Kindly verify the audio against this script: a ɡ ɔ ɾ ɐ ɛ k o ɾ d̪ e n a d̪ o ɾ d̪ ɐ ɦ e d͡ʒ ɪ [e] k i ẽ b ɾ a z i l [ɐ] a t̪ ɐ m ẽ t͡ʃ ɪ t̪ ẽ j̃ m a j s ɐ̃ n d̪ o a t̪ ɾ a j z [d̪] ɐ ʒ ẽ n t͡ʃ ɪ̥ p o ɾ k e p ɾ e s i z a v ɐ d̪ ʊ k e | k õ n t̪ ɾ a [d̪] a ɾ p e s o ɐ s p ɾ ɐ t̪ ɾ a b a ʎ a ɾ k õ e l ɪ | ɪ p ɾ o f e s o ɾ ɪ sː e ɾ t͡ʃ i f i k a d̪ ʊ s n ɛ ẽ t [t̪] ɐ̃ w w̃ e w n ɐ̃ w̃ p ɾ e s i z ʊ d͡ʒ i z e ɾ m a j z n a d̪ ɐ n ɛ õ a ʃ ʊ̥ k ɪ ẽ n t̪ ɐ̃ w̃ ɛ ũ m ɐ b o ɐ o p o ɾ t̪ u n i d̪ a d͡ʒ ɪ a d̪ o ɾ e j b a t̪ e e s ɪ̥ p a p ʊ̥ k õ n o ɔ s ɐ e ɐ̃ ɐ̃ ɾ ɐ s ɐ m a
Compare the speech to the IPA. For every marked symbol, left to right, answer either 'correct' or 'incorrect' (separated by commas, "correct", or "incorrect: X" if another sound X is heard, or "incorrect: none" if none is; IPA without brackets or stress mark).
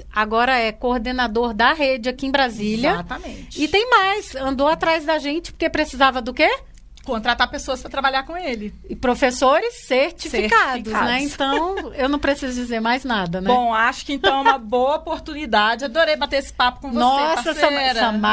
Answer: incorrect: a, correct, correct, incorrect: t̪, correct